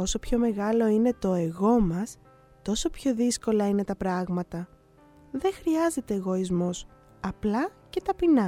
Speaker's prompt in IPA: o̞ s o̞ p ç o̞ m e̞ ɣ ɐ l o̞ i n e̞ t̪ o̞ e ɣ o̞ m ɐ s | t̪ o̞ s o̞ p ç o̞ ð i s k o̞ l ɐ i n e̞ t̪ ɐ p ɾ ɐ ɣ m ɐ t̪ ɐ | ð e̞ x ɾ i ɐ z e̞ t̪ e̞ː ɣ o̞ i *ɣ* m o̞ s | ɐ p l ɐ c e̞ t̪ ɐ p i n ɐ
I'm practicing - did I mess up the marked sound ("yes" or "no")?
yes